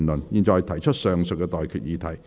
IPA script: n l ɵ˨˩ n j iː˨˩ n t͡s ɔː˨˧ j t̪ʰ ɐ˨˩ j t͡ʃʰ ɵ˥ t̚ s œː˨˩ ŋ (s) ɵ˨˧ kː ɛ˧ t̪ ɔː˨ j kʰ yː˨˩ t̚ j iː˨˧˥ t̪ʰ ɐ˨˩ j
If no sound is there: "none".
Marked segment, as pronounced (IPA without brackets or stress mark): s